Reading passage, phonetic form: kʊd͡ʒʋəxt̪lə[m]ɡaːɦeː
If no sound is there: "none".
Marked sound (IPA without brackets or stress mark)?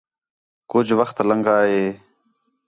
ŋ